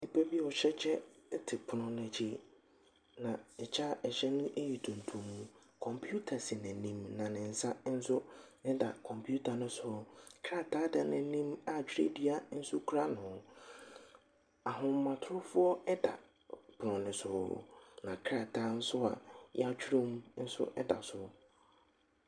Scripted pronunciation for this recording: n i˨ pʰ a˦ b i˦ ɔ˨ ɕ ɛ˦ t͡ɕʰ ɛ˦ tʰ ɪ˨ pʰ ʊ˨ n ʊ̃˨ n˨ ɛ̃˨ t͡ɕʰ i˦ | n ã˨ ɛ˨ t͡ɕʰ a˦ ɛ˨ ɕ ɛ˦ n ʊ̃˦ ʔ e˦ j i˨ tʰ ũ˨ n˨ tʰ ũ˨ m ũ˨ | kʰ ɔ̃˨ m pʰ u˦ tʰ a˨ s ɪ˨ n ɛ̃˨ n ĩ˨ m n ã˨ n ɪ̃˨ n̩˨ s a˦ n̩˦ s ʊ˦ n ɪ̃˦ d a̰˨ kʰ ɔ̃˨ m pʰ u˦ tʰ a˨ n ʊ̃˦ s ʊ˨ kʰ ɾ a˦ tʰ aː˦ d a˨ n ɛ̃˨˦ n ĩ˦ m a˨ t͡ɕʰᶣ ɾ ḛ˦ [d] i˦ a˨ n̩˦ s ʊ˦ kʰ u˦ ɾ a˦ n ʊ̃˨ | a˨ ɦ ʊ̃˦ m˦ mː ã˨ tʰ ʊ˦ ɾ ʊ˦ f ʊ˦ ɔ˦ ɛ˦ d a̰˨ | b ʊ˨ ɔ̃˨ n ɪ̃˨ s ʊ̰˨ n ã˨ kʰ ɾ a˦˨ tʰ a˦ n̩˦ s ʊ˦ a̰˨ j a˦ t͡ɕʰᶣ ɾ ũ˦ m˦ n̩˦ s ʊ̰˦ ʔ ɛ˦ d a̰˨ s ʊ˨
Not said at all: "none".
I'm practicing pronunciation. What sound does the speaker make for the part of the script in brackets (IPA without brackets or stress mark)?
d